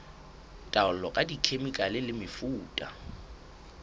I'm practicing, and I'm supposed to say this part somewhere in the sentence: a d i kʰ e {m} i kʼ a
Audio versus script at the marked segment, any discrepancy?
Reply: no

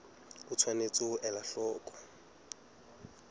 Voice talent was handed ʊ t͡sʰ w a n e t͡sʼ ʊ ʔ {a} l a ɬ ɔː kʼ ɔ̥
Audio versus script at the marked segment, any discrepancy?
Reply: yes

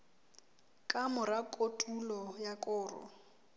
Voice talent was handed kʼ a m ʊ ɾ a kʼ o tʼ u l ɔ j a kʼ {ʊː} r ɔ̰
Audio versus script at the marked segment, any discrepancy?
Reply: no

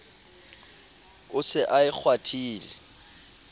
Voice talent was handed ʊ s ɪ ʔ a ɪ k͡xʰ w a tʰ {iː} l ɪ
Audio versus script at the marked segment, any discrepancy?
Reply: no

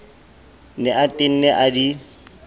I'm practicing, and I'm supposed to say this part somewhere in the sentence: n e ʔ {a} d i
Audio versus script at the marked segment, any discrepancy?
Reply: no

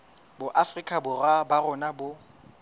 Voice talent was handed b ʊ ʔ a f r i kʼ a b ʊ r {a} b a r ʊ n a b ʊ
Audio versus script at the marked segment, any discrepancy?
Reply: no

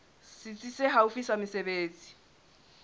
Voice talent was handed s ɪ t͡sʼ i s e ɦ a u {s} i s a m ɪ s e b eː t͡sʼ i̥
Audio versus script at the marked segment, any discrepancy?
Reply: yes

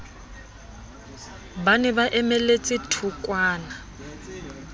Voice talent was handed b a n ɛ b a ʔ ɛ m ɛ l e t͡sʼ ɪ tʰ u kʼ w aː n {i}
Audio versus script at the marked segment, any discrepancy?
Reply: yes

